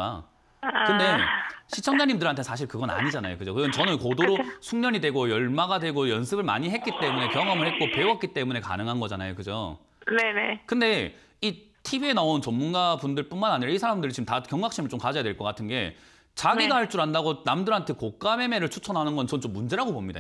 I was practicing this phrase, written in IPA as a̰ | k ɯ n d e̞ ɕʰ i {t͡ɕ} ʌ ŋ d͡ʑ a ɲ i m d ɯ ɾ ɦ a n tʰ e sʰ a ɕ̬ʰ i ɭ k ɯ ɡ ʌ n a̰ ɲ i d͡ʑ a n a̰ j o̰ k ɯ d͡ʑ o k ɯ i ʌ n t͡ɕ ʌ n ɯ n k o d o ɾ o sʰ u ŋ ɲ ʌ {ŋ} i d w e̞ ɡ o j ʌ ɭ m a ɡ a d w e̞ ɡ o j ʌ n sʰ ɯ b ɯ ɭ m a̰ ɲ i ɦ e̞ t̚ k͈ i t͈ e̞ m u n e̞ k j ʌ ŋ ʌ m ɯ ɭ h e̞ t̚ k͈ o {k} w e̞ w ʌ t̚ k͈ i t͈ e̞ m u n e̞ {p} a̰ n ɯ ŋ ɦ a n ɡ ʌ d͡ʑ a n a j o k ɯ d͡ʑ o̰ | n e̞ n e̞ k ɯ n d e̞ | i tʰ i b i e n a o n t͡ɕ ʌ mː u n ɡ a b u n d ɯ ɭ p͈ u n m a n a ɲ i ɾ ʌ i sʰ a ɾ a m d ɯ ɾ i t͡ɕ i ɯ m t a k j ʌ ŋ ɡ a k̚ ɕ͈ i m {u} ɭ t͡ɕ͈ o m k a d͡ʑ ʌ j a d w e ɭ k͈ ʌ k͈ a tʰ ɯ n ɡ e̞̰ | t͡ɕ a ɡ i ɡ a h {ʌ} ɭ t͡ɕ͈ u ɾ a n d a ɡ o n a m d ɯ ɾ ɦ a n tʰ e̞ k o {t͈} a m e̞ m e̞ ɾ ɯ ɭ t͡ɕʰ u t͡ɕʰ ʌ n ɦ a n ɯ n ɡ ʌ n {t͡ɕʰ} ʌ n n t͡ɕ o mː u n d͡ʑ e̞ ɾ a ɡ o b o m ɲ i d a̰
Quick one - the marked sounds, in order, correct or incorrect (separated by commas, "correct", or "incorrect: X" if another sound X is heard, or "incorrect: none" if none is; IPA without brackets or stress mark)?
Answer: incorrect: t͡ɕʰ, incorrect: ɲ, incorrect: p, incorrect: k, incorrect: ɯ, incorrect: a, incorrect: k͈, incorrect: t͡ɕ